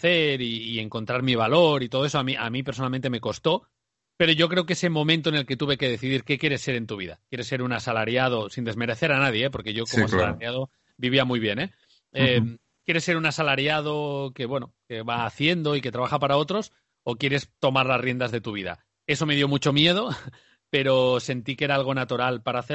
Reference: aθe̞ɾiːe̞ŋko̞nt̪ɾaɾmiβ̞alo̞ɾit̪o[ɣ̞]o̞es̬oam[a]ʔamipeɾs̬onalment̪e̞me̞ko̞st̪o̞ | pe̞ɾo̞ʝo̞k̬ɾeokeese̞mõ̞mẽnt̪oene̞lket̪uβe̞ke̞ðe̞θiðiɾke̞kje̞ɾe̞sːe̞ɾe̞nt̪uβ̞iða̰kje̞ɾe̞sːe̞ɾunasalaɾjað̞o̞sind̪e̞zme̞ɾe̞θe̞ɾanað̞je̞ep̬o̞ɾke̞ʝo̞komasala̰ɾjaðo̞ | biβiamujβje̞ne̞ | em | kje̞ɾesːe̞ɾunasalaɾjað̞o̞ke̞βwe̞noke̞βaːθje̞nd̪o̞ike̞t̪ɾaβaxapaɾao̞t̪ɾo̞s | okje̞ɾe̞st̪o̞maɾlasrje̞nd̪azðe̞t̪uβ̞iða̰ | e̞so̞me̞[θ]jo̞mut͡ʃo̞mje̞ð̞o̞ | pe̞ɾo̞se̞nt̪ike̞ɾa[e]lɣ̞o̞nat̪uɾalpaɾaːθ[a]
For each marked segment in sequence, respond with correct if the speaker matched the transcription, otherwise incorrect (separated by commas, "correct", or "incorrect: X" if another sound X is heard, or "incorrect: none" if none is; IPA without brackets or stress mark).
incorrect: ð̞, incorrect: i, incorrect: ð, incorrect: a, incorrect: e